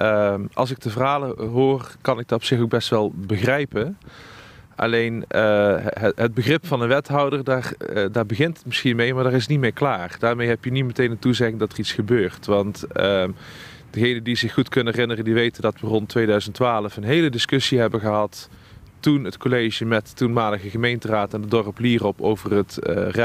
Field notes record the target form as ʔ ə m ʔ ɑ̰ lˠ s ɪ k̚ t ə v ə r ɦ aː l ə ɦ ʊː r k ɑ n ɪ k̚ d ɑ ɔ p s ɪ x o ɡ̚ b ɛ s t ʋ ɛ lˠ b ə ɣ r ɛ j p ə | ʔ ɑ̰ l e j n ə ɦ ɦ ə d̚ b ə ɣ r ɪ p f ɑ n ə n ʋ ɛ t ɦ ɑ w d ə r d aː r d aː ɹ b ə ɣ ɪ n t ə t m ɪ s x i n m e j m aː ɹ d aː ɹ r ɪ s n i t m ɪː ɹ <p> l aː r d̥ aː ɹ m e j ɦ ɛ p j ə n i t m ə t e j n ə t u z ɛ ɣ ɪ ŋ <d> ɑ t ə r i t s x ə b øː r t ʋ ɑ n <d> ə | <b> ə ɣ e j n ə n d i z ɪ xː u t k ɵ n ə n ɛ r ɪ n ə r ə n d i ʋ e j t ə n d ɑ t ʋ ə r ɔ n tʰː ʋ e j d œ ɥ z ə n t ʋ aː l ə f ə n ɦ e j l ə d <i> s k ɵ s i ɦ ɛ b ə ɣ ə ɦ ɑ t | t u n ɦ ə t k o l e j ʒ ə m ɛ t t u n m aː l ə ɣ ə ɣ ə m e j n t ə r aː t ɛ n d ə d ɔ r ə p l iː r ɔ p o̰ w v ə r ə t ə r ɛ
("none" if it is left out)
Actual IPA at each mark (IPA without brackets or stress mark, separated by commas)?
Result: k, d, t, d, ɪ